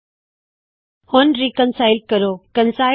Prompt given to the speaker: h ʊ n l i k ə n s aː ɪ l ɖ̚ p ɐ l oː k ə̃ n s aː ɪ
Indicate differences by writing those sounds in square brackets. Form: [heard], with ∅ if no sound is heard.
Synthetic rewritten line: h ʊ n [ɾ] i k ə n s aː ɪ l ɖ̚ [k] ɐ [ɾ] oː k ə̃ n s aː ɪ